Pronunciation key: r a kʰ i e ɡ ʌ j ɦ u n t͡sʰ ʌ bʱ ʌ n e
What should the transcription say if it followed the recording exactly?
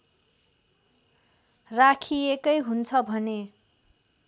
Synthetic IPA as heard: r a kʰ i e k ʌ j ɦ u n t͡sʰ ʌ bʱ ʌ n e